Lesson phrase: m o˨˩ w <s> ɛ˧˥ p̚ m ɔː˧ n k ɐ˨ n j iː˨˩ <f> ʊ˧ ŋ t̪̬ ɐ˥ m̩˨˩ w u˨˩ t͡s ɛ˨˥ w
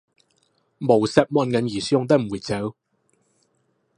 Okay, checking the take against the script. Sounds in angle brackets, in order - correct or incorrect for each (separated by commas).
correct, incorrect